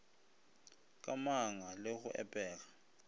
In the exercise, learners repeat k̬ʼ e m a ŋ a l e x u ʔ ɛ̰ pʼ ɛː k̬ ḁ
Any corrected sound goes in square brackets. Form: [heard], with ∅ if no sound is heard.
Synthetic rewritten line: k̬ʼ [a] m a ŋ a l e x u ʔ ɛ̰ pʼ ɛː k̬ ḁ